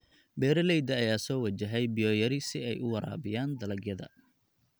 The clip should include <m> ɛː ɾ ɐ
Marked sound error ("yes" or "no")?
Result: yes